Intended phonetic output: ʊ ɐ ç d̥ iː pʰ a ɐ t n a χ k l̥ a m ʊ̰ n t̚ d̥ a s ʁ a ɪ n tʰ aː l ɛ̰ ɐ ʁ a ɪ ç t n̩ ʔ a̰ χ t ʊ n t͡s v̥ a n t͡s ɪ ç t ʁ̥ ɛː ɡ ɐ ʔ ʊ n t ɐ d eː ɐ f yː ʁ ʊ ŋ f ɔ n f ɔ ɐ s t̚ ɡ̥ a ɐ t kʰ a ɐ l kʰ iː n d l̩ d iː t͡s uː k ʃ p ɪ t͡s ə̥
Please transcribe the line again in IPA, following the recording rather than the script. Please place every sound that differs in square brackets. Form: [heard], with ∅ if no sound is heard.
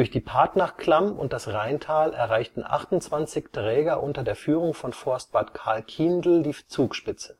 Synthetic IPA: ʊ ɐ ç d̥ iː pʰ a ɐ t n a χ k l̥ a m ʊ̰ n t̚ d̥ a s ʁ a ɪ n tʰ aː l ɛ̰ ɐ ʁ a ɪ ç t n̩ ʔ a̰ χ t ʊ n t͡s v̥ a n t͡s ɪ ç t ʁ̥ ɛː ɡ ɐ ʔ ʊ n t ɐ d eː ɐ f yː ʁ ʊ ŋ f ɔ n f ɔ ɐ s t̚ [b̥] a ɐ t kʰ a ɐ l kʰ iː n d l̩ d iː t͡s uː k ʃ p ɪ t͡s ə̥